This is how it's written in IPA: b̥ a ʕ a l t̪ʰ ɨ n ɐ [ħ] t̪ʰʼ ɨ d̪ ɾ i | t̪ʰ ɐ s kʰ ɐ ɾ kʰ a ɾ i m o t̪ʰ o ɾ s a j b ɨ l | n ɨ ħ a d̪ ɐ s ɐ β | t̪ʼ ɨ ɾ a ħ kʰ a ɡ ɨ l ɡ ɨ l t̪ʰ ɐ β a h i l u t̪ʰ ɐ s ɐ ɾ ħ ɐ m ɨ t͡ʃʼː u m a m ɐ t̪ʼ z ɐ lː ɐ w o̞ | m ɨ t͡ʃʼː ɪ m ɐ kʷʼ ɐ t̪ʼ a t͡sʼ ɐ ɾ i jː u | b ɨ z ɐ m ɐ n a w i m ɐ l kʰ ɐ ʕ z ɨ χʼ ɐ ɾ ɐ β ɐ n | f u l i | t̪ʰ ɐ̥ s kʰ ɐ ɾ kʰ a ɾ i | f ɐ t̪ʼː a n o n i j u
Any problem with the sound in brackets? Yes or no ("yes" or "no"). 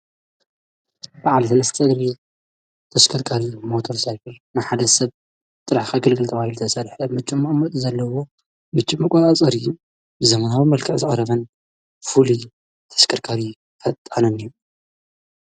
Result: yes